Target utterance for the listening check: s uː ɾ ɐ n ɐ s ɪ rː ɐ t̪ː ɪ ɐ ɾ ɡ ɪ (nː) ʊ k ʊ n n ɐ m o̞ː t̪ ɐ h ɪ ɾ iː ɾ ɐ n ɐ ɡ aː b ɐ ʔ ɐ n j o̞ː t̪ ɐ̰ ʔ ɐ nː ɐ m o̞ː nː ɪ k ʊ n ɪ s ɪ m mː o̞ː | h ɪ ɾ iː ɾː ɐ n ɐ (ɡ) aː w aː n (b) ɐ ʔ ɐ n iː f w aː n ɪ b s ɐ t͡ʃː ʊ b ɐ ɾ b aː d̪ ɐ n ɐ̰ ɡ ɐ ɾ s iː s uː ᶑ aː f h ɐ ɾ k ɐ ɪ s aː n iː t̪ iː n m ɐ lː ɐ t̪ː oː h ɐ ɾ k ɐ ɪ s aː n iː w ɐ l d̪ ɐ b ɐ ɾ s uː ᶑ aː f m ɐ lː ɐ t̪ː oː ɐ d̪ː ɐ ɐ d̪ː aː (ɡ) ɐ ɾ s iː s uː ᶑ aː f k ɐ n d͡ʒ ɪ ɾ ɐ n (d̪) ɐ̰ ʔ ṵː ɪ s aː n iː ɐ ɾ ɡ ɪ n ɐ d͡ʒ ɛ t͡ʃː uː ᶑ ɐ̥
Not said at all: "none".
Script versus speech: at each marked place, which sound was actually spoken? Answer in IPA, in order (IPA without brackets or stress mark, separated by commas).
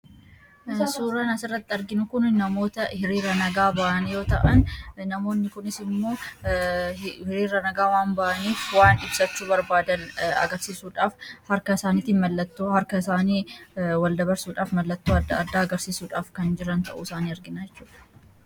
n, ɡ, b, ɡ, t̪